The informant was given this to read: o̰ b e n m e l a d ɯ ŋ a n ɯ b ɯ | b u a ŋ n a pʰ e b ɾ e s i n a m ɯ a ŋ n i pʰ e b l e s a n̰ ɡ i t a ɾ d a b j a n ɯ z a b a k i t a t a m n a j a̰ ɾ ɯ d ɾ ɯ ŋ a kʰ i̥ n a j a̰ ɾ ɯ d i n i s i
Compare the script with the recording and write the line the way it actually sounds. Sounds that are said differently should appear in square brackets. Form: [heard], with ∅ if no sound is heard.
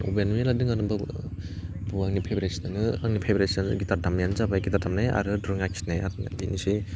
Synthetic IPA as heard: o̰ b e n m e l a d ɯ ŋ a n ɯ b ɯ | b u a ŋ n [i] pʰ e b ɾ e s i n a [n] ɯ a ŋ n i pʰ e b [ɾ] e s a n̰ ɡ i t a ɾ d a [m] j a n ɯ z a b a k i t a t a m n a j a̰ ɾ ɯ d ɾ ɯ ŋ a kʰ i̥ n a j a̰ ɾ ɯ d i n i s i